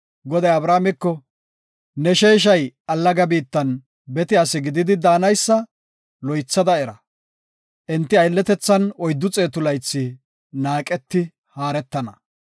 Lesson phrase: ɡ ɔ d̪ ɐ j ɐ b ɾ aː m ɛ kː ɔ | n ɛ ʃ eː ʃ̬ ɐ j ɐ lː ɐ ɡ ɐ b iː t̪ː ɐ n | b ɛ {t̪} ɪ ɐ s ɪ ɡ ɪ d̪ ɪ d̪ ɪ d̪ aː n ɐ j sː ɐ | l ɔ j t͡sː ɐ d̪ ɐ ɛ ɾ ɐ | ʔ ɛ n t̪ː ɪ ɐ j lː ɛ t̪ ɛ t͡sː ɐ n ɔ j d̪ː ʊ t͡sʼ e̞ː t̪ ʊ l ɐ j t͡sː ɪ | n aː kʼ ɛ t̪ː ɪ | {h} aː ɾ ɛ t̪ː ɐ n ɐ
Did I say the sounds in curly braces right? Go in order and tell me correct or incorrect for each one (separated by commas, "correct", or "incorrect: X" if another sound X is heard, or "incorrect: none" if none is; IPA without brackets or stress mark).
correct, correct